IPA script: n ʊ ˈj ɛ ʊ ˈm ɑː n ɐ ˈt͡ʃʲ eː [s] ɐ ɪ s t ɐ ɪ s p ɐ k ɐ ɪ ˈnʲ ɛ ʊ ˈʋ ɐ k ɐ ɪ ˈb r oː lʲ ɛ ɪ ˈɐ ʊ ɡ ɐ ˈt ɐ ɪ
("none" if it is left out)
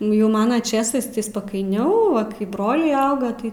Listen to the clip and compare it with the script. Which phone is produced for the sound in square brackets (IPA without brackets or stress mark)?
s